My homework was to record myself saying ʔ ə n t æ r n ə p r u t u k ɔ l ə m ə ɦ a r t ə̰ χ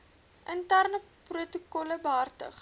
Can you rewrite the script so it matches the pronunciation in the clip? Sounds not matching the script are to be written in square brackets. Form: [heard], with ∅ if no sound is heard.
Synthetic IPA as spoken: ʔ ə n t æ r n ə p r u t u k ɔ l ə [b] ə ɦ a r t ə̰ χ